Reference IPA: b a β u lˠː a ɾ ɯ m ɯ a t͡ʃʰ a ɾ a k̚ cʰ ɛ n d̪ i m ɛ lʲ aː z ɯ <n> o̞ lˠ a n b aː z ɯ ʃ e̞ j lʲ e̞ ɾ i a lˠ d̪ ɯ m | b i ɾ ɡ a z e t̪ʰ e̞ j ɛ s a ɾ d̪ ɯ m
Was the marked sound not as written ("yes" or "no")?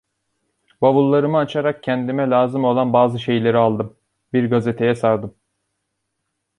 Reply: yes